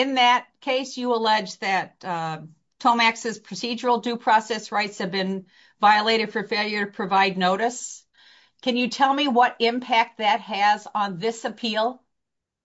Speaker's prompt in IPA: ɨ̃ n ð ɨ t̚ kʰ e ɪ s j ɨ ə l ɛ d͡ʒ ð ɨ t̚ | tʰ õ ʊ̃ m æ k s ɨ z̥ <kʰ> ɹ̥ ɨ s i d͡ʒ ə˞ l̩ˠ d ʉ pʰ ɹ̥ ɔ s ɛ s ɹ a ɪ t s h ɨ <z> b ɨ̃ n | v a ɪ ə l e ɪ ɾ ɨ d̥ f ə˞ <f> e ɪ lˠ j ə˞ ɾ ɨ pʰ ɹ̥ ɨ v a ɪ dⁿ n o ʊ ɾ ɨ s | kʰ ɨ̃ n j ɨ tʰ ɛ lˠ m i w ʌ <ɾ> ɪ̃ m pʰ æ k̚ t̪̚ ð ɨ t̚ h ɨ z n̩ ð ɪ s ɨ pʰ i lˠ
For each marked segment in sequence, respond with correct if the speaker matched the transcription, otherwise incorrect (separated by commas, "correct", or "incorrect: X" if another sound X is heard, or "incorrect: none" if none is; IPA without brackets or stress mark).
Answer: incorrect: pʰ, incorrect: v, correct, correct